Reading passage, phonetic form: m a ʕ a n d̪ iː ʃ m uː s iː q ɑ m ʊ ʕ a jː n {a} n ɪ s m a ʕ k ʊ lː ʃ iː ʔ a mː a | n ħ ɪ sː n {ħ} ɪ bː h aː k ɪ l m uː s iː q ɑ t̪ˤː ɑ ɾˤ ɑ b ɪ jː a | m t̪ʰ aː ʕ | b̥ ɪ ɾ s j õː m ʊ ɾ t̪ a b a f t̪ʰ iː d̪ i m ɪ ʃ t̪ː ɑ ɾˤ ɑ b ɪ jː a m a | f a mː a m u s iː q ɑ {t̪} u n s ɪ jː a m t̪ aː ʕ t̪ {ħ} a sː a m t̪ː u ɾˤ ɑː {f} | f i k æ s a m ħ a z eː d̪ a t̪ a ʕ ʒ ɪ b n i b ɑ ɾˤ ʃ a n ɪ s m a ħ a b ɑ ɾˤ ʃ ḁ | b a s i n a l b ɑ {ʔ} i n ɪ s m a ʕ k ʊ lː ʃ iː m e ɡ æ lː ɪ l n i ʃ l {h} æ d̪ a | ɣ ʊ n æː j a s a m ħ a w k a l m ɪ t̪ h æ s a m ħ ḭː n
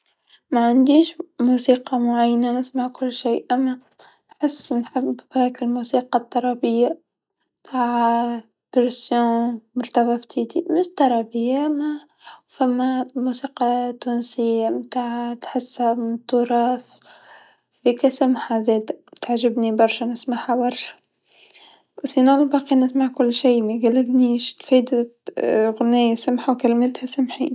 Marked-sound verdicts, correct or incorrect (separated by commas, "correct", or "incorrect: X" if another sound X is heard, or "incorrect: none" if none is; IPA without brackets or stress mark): correct, correct, correct, correct, correct, incorrect: q, incorrect: f